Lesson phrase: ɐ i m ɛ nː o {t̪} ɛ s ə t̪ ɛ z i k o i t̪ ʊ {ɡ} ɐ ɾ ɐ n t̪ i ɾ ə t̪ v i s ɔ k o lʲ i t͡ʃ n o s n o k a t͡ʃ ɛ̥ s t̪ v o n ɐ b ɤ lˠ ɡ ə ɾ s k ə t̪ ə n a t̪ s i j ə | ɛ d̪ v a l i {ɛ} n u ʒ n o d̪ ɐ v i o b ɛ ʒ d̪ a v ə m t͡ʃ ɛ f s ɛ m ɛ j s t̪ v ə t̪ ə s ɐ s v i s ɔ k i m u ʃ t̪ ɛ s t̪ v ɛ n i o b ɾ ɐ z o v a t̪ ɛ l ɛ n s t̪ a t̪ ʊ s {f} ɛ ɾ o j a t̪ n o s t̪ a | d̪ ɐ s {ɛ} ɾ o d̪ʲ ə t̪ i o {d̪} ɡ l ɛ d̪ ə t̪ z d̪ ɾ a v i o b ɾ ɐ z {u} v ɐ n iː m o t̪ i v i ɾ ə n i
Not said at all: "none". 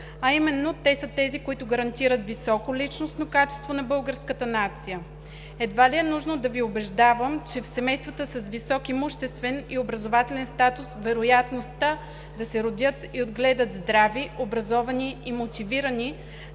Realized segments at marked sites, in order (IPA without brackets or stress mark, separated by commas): t̪, ɡ, ɛ, v, ɛ, d̪, ɔ